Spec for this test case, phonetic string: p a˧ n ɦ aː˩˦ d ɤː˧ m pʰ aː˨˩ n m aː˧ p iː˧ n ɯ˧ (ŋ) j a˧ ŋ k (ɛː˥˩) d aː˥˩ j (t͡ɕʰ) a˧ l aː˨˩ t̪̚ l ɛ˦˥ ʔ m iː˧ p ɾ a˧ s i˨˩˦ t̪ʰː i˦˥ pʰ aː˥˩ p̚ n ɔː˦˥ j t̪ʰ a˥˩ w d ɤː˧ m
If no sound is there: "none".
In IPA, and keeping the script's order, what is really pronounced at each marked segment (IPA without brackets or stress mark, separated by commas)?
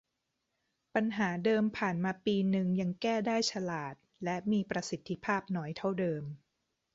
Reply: ŋ, ɛː˥˩, t͡ɕʰ